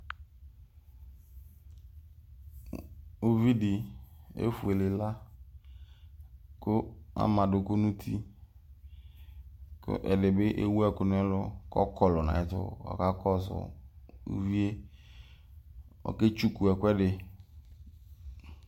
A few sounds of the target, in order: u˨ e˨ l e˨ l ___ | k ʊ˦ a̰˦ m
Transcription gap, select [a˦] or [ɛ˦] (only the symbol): a˦